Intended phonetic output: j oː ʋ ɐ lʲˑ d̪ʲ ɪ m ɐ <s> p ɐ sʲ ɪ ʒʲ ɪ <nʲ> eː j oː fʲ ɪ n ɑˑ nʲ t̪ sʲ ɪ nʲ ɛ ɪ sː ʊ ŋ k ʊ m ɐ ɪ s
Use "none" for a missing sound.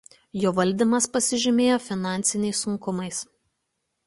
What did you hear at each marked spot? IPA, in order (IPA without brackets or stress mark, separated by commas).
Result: s, mʲ